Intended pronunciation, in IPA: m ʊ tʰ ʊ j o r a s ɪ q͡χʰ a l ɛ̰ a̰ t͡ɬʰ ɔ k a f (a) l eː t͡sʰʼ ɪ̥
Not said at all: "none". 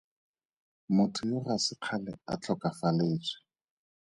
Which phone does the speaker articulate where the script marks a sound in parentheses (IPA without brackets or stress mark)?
a